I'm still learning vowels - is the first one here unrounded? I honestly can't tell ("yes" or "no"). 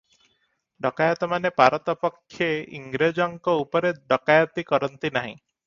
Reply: no